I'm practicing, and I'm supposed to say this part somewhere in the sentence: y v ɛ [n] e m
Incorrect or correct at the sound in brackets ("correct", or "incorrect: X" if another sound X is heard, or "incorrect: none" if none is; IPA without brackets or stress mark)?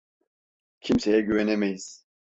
correct